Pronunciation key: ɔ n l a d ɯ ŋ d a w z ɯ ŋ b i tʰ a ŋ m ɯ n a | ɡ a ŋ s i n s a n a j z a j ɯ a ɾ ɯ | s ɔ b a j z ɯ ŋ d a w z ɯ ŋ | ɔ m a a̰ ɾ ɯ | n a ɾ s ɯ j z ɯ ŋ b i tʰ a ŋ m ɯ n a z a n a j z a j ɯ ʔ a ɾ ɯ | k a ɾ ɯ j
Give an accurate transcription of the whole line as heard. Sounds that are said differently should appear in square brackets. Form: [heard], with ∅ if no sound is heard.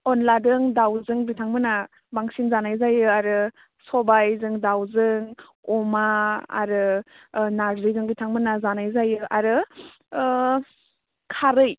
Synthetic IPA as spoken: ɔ n l a d ɯ ŋ d a w z ɯ ŋ b i tʰ a ŋ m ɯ n a | [b] a ŋ s i n [z] a n a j z a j ɯ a ɾ ɯ | s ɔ b a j z ɯ ŋ d a w z ɯ ŋ | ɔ m a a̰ ɾ ɯ | n a ɾ [z] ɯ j z ɯ ŋ b i tʰ a ŋ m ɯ n a z a n a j z a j ɯ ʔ a ɾ ɯ | [kʰ] a ɾ ɯ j